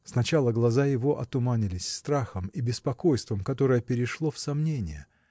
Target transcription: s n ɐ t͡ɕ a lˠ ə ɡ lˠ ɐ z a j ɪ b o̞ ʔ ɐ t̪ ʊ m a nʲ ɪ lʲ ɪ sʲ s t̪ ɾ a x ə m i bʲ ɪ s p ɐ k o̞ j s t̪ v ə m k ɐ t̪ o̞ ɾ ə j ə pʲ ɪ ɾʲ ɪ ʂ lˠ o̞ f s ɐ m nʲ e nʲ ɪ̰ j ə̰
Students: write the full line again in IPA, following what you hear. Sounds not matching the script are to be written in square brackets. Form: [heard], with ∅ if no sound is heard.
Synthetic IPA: s n ɐ t͡ɕ a lˠ ə ɡ lˠ ɐ z a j ɪ [v] o̞ ʔ ɐ t̪ ʊ m a nʲ ɪ lʲ ɪ sʲ s t̪ ɾ a x ə m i bʲ ɪ s p ɐ k o̞ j s t̪ v ə m k ɐ t̪ o̞ ɾ ə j ə pʲ ɪ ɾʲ ɪ ʂ lˠ o̞ f s ɐ m nʲ e nʲ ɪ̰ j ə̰

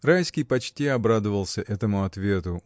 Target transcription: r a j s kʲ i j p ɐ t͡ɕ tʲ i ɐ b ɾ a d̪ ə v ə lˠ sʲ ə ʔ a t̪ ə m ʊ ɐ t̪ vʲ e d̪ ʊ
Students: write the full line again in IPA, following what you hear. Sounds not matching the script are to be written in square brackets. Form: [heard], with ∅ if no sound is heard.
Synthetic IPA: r a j s kʲ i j p ɐ t͡ɕ tʲ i ɐ b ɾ a d̪ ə v ə lˠ sʲ ə ʔ [ɛ] t̪ ə m ʊ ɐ t̪ vʲ e [t̪] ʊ

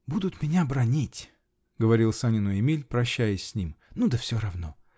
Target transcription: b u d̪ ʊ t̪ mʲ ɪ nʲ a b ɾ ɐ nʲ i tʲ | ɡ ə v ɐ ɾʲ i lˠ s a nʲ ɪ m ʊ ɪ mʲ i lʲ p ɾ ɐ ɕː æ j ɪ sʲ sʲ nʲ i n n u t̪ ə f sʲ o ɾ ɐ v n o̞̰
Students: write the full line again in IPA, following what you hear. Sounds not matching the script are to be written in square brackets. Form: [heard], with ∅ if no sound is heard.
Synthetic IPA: b u d̪ ʊ t̪ mʲ ɪ nʲ a b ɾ ɐ nʲ i tʲ | ɡ ə v ɐ ɾʲ i lˠ s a nʲ ɪ [n] ʊ ɪ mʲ i lʲ p ɾ ɐ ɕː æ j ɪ sʲ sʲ nʲ i [m] n u [d̪] ə f sʲ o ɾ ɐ v n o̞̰

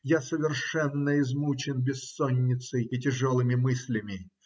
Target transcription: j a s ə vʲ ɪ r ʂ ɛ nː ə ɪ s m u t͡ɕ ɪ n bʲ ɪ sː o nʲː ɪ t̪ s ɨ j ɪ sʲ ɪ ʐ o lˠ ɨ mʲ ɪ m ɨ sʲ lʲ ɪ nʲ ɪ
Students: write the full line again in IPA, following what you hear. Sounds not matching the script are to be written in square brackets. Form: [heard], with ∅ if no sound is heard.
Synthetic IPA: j a s ə vʲ ɪ r ʂ ɛ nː ə ɪ [z] m u t͡ɕ ɪ n bʲ ɪ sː o nʲː ɪ t̪ s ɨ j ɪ [tʲ] ɪ ʐ o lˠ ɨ mʲ ɪ m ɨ sʲ lʲ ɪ [mʲ] ɪ

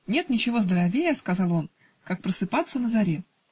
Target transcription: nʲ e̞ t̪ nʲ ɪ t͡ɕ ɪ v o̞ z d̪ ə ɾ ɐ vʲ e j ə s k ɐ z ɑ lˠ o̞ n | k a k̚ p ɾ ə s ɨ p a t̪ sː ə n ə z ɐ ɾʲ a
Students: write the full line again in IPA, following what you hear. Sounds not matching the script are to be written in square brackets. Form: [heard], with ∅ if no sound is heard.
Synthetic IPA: nʲ e̞ t̪ nʲ ɪ t͡ɕ ɪ v o̞ z d̪ ə ɾ ɐ vʲ e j ə s k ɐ z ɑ lˠ o̞ n | k a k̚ p ɾ ə s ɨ p a t̪ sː ə n ə z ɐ ɾʲ [e]

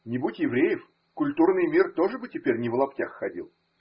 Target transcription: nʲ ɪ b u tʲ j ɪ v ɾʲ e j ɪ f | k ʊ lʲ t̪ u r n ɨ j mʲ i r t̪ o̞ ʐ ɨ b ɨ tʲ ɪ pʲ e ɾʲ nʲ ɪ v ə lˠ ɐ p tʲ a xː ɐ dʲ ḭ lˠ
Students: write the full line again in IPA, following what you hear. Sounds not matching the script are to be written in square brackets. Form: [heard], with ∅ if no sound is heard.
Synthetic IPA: nʲ ɪ b u tʲ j ɪ v ɾʲ e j ɪ f | k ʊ lʲ t̪ u r n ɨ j mʲ i r t̪ o̞ ʐ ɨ b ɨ tʲ ɪ pʲ e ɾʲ nʲ ɪ v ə lˠ ɐ p tʲ a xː ɐ dʲ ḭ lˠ

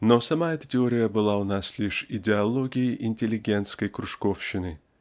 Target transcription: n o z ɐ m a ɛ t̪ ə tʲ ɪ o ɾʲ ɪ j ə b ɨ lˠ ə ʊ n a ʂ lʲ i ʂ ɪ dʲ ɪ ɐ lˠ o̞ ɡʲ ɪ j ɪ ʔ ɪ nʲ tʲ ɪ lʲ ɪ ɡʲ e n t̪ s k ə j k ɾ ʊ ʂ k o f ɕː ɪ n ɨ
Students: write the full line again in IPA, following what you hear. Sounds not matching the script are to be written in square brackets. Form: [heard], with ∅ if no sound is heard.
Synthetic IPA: n o [s] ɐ m a ɛ t̪ ə tʲ ɪ o ɾʲ ɪ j ə b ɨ lˠ [a] ʊ n a [s] lʲ i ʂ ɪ dʲ ɪ ɐ lˠ o̞ ɡʲ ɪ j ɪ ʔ ɪ nʲ tʲ ɪ lʲ ɪ ɡʲ e n t̪ s k ə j k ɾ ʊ ʂ k o f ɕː ɪ n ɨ

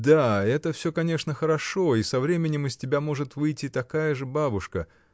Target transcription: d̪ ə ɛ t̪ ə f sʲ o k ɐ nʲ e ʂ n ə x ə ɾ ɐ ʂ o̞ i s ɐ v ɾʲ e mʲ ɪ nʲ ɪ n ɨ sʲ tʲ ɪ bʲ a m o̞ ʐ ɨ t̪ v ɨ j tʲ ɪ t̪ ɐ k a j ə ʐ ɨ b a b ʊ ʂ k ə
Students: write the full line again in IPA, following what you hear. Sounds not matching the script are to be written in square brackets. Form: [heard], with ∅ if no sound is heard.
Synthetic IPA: d̪ [a] ɛ t̪ ə f sʲ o k ɐ nʲ e ʂ n ə x ə ɾ ɐ ʂ o̞ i s ɐ v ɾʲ e mʲ ɪ nʲ ɪ [m] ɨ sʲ tʲ ɪ bʲ a m o̞ ʐ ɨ t̪ v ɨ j tʲ ɪ t̪ ɐ k a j ə ʐ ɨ b a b ʊ ʂ k ə

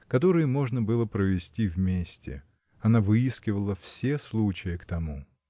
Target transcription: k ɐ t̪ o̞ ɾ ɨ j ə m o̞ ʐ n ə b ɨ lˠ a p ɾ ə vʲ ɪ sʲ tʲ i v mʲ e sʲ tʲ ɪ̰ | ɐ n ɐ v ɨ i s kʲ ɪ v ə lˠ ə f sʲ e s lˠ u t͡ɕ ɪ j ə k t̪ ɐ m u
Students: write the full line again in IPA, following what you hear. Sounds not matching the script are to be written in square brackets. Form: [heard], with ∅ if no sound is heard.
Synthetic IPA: k ɐ t̪ o̞ ɾ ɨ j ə m o̞ ʐ n ə b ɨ lˠ [ə] p ɾ ə vʲ ɪ sʲ tʲ i v mʲ e sʲ tʲ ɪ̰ | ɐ n [a] v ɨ i s kʲ ɪ v ə lˠ ə f sʲ e s lˠ u t͡ɕ ɪ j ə k t̪ ɐ m u

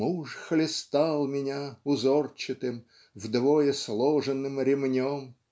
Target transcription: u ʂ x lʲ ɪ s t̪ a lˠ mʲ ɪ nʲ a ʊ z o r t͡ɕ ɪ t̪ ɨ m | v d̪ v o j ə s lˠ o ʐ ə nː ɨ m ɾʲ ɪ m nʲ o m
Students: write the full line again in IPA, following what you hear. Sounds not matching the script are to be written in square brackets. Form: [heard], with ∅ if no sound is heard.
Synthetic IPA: u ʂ x lʲ ɪ s t̪ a lˠ mʲ ɪ nʲ a ʊ z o r t͡ɕ ɪ t̪ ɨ m | v d̪ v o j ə s lˠ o ʐ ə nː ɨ m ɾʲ ɪ m nʲ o m

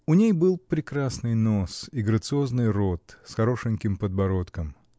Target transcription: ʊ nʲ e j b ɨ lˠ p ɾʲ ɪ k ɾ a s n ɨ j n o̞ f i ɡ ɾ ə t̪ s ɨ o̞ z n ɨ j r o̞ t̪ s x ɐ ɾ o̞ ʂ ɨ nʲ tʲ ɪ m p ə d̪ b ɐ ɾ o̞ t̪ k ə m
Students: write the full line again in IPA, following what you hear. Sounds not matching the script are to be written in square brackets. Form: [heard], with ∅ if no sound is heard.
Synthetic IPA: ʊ nʲ e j b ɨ lˠ p ɾʲ ɪ k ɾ a s n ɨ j n o̞ [s] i ɡ ɾ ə t̪ s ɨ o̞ z n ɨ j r o̞ t̪ s x ɐ ɾ o̞ ʂ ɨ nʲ [kʲ] ɪ m p ə d̪ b ɐ ɾ o̞ t̪ k ə m

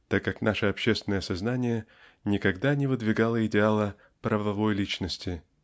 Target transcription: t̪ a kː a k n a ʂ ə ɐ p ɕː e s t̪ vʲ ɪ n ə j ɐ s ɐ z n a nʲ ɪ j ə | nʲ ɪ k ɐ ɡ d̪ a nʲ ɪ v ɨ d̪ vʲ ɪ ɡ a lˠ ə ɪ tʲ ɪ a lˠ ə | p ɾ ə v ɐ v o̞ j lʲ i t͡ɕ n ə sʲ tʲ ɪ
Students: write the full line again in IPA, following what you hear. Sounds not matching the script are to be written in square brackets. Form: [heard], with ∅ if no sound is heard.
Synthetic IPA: t̪ a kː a k n a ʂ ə ɐ p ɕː e s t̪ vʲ ɪ n ə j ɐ s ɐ z n a nʲ ɪ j ə | nʲ ɪ k ɐ ɡ d̪ a nʲ ɪ v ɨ d̪ vʲ ɪ ɡ a lˠ ə ɪ [dʲ] ɪ a lˠ ə | p ɾ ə v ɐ v o̞ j lʲ i t͡ɕ n ə sʲ tʲ ɪ

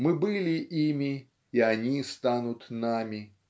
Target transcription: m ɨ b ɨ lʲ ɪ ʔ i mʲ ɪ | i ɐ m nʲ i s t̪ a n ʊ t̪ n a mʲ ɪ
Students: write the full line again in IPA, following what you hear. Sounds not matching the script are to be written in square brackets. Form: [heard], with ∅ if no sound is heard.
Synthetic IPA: m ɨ b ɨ lʲ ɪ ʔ i mʲ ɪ | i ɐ [∅] nʲ i s t̪ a n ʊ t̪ n a mʲ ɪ

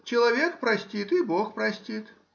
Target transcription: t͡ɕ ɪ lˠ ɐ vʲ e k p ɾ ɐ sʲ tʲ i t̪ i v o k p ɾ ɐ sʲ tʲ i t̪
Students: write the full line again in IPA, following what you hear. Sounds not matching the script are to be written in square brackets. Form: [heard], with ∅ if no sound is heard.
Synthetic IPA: t͡ɕ ɪ lˠ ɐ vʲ e k p ɾ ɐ sʲ tʲ i t̪ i [b] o [x] p ɾ ɐ sʲ tʲ i t̪

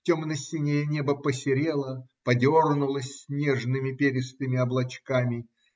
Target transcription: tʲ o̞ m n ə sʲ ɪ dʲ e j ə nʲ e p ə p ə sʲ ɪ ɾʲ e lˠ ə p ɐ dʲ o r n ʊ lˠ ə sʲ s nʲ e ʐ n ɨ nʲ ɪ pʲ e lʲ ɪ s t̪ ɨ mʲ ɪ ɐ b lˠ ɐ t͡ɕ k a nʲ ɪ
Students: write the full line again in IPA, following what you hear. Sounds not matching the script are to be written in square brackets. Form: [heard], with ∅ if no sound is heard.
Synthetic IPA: tʲ o̞ m n ə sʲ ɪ [nʲ] e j ə nʲ e [b] ə p ə sʲ ɪ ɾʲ e lˠ ə p ɐ dʲ o r n ʊ lˠ ə sʲ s nʲ e ʐ n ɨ [mʲ] ɪ pʲ e [ɾʲ] ɪ s t̪ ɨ mʲ ɪ ɐ b lˠ ɐ t͡ɕ k a [mʲ] ɪ

